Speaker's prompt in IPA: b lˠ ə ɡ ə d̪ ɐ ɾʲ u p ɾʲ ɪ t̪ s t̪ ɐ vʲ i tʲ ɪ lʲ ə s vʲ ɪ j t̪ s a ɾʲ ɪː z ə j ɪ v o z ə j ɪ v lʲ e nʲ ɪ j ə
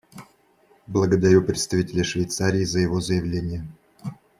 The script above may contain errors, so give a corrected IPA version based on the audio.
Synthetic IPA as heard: b lˠ ə ɡ ə d̪ ɐ ɾʲ u p ɾʲ ɪ t̪ s t̪ ɐ vʲ i tʲ ɪ lʲ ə ʂ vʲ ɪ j t̪ s a ɾʲ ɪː z ə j ɪ v o z ə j ɪ v lʲ e nʲ ɪ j ə